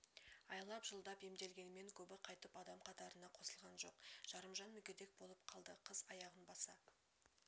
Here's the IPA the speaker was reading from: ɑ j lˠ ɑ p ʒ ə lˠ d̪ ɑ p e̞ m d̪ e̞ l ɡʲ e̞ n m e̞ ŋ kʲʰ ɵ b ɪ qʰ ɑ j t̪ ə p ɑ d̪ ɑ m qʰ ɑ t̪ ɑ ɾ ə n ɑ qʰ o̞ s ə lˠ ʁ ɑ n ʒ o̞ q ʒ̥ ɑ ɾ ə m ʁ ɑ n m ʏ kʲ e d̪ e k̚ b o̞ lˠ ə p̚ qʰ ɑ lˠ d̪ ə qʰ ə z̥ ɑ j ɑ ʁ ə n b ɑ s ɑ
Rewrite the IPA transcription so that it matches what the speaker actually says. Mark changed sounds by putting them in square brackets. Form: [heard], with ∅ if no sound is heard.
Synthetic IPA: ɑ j lˠ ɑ p ʒ ə lˠ d̪ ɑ p e̞ m d̪ e̞ l ɡʲ e̞ n m e̞ ŋ kʲʰ ɵ b ɪ qʰ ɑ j t̪ ə p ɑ d̪ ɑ m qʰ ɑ t̪ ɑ ɾ ə n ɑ qʰ o̞ s ə lˠ ʁ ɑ n ʒ o̞ q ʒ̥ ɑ ɾ ə m [ʒ] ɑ n m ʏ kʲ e d̪ e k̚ b o̞ lˠ ə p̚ qʰ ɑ lˠ d̪ ə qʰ ə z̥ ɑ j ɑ ʁ ə n b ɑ s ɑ